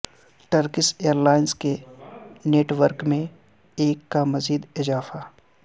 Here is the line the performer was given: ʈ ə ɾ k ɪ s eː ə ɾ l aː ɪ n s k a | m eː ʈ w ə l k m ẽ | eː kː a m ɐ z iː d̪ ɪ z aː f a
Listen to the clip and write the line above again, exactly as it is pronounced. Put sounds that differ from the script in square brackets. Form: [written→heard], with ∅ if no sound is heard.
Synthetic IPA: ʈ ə ɾ k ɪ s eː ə ɾ l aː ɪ n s k [a→e] | [m→n] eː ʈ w ə [l→ɾ] k m ẽ | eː kː a m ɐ z iː d̪ ɪ z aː f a